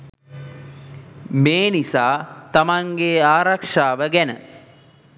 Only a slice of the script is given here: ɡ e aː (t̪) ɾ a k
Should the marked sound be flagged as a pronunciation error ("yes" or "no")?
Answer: yes